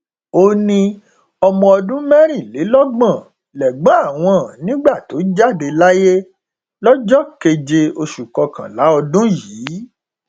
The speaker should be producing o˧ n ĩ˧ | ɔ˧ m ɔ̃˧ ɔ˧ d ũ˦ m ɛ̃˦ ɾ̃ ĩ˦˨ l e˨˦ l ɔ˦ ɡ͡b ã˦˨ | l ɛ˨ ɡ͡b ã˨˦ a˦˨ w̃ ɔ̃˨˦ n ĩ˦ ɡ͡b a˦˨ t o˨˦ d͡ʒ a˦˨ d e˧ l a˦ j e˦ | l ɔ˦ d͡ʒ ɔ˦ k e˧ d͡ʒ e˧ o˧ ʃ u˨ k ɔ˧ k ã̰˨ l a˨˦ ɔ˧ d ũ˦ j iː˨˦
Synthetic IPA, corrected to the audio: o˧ n ĩ˧ | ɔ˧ m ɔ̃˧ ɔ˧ d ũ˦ m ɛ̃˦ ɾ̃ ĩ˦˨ l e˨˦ l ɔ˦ ɡ͡b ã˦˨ | l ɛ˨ ɡ͡b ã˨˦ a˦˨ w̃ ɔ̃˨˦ n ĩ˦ ɡ͡b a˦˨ t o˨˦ d͡ʒ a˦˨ d e˧ l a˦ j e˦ | l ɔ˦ d͡ʒ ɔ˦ k e˧ d͡ʒ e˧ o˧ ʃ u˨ k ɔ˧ k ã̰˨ l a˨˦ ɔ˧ d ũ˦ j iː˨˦

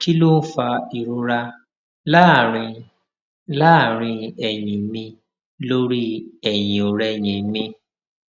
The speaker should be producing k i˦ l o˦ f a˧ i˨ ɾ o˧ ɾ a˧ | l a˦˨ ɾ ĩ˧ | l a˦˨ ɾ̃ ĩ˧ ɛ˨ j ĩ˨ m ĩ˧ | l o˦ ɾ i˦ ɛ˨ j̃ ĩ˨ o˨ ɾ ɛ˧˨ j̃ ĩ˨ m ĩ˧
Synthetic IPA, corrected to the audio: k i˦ l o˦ f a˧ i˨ ɾ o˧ ɾ a˧ | l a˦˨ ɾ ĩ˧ | l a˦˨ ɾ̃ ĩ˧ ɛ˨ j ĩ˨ m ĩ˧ | l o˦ ɾ i˦ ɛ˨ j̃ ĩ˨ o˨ ɾ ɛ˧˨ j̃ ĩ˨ m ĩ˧

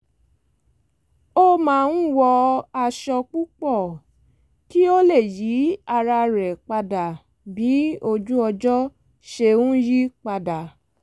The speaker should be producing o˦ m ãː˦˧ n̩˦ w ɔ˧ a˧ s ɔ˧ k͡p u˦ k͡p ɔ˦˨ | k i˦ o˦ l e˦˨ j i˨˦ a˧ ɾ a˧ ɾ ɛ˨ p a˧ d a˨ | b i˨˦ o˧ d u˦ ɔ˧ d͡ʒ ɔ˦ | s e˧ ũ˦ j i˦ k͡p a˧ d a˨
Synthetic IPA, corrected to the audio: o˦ m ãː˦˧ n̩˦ w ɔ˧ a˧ ʃ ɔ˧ k͡p u˦ k͡p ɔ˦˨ | k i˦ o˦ l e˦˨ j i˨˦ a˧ ɾ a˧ ɾ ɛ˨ k͡p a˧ d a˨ | b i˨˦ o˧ d͡ʒ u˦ ɔ˧ d͡ʒ ɔ˦ | ʃ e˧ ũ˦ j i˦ k͡p a˧ d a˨

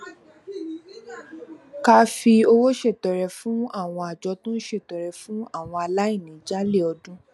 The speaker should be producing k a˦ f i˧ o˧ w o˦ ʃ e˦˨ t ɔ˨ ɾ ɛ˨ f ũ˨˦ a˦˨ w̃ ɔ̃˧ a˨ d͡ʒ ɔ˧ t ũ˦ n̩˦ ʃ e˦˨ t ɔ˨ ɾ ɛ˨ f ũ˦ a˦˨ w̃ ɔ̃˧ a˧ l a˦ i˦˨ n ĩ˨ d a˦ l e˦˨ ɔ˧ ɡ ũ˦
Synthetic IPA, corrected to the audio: k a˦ f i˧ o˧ w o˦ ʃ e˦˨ t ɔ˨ ɾ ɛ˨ f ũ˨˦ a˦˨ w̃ ɔ̃˧ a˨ d͡ʒ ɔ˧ t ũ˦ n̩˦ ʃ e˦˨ t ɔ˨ ɾ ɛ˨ f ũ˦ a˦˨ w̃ ɔ̃˧ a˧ l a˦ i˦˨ n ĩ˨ d͡ʒ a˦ l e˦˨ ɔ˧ d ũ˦

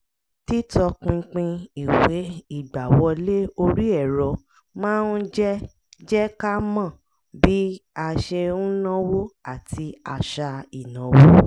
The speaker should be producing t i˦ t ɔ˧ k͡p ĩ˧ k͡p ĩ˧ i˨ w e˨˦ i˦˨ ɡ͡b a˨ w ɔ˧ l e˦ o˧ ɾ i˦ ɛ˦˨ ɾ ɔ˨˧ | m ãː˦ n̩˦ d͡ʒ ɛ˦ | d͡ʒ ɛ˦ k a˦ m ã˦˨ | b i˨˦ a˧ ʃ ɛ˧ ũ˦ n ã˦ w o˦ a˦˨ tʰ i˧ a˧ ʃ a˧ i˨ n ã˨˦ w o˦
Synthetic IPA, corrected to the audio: t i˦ t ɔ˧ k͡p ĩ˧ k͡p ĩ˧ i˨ w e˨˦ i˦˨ ɡ͡b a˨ w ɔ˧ l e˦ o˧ ɾ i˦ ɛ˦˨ ɾ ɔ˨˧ | m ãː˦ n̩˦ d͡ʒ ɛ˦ | d͡ʒ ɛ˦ k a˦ m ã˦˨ | b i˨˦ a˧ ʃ e˧ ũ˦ n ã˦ w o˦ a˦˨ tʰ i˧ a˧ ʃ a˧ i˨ n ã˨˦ w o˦

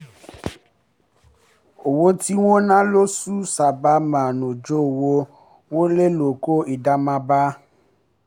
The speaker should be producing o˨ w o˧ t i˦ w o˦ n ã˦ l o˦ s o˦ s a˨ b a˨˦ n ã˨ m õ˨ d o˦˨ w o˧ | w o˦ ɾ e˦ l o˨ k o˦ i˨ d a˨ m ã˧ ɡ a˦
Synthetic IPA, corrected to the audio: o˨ w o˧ t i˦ w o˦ n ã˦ l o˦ s u˦ s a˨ b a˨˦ m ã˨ n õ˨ d͡ʒ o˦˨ w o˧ | w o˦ l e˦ l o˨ k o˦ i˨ d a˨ m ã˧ b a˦

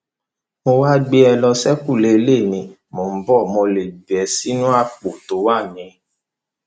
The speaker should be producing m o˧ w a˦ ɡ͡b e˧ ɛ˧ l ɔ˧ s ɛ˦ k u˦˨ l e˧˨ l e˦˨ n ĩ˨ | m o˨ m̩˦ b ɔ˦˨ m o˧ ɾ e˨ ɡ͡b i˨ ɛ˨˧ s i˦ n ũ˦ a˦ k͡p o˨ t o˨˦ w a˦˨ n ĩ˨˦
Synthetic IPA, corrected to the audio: m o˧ w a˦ ɡ͡b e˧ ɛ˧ l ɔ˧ s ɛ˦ k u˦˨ l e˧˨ l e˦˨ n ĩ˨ | m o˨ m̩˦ b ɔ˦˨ m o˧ l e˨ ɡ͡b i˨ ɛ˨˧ s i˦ n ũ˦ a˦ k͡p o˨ t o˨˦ w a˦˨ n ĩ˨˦

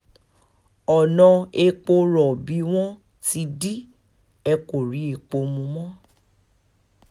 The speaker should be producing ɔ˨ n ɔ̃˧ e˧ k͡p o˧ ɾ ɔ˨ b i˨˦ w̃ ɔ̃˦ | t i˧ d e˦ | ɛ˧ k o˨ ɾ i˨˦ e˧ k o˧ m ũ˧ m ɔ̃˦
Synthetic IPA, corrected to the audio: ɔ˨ n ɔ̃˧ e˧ k͡p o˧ ɾ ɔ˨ b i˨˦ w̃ ɔ̃˦ | t i˧ d i˦ | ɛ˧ k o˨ ɾ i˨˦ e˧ k͡p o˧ m ũ˧ m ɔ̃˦

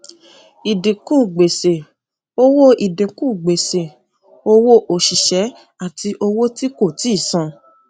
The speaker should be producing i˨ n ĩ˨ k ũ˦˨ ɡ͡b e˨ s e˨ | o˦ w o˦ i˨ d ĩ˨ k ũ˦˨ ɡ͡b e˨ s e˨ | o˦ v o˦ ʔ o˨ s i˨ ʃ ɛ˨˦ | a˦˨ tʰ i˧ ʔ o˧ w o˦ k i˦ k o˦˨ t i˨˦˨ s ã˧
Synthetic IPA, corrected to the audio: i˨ d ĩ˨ k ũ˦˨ ɡ͡b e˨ s e˨ | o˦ w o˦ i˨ d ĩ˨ k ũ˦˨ ɡ͡b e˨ s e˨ | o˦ w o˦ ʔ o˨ ʃ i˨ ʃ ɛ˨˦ | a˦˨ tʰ i˧ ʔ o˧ w o˦ t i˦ k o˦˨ t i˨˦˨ s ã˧

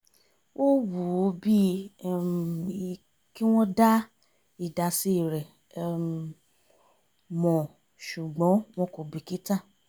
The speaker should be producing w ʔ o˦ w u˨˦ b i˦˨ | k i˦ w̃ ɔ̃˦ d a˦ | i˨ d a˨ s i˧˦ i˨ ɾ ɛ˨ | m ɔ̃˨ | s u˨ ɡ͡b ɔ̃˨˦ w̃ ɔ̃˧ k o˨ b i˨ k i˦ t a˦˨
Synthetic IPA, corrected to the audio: w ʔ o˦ w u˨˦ b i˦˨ | k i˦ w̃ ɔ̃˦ d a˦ | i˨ d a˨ s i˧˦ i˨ ɾ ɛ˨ | m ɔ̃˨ | ʃ u˨ ɡ͡b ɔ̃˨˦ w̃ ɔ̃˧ k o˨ b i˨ k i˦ t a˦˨

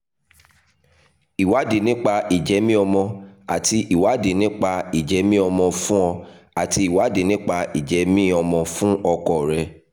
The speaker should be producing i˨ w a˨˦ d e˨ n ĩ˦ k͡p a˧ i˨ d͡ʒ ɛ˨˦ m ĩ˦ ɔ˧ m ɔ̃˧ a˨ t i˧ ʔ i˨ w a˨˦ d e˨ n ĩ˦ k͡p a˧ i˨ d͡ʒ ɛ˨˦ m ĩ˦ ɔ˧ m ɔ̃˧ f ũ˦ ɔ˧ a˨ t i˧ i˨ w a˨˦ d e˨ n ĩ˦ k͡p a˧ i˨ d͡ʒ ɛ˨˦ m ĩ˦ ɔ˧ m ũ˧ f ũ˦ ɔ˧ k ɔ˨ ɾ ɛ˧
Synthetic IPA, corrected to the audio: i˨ w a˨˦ d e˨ n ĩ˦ k͡p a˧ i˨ d͡ʒ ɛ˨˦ m ĩ˦ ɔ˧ m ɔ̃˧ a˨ t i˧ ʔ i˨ w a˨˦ d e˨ n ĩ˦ k͡p a˧ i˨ d͡ʒ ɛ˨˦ m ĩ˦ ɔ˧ m ɔ̃˧ f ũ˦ ɔ˧ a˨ t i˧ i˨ w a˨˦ d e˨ n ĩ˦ k͡p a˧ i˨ d͡ʒ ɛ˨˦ m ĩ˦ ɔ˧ m ɔ̃˧ f ũ˦ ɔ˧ k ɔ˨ ɾ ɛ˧

